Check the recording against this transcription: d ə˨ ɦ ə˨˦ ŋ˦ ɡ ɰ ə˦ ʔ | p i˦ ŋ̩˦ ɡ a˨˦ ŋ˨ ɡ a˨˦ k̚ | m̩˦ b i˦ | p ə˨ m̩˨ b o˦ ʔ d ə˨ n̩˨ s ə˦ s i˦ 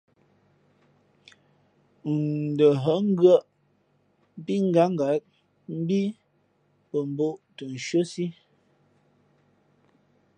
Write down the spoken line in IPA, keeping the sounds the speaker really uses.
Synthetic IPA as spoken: d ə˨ ɦ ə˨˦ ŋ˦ ɡ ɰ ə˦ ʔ | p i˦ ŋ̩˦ ɡ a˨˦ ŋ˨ ɡ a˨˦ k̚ | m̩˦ b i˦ | p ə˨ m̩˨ b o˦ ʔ t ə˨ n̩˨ ʃ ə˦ s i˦